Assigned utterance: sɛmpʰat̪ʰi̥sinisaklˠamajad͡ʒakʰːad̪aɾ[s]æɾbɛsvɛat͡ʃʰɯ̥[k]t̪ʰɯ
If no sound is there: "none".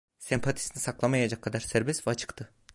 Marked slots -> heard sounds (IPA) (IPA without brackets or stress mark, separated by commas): s, k